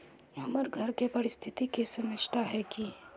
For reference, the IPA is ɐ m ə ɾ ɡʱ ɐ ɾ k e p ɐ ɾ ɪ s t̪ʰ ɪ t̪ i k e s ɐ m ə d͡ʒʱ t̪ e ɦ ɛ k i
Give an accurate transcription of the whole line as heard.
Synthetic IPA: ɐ m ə ɾ ɡʱ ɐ ɾ k e p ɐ ɾ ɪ s t̪ʰ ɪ t̪ i k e s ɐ m ə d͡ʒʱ t̪ a ɦ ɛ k i